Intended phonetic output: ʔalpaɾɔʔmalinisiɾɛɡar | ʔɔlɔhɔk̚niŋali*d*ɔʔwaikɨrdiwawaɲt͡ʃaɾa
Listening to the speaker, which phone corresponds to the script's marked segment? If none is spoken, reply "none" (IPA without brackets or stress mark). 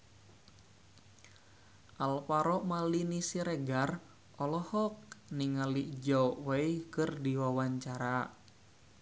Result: d͡ʒ